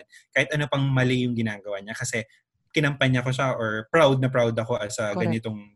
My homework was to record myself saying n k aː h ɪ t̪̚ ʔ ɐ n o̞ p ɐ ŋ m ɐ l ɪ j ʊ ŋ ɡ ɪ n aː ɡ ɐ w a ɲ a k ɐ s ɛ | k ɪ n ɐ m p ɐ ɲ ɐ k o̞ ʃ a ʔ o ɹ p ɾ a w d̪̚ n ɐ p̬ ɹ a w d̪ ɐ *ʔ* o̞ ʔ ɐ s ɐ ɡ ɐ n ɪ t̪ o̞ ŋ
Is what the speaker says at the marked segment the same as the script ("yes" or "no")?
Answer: no